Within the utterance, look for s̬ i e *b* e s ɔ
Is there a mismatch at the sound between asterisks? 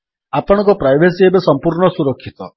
no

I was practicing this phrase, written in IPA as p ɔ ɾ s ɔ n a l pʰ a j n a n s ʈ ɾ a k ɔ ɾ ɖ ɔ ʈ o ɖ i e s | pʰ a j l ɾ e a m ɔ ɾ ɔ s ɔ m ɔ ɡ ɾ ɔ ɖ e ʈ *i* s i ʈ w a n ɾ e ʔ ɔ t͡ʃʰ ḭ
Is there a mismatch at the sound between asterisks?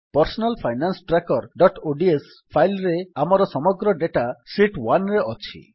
yes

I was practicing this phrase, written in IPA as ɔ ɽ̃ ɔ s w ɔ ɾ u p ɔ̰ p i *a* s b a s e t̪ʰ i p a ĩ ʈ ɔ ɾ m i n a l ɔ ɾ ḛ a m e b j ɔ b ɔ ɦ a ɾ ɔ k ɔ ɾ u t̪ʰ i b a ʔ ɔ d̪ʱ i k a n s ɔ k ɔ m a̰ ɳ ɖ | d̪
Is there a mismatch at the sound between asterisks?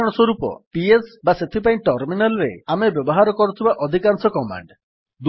yes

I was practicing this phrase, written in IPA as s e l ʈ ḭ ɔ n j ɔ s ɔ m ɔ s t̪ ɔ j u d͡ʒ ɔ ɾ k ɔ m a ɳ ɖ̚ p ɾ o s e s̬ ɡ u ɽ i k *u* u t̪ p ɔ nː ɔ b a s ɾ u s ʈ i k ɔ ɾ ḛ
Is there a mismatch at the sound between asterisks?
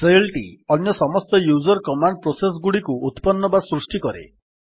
no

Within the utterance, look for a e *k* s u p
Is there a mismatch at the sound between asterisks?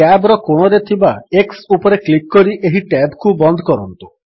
no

